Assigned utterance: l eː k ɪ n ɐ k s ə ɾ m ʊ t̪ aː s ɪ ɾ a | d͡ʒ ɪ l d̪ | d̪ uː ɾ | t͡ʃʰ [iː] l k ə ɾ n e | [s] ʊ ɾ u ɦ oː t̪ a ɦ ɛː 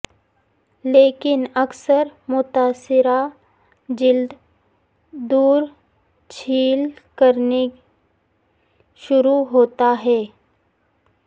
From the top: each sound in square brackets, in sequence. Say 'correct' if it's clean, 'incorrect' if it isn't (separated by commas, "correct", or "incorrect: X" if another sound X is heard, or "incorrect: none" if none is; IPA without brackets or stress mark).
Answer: correct, incorrect: ʃ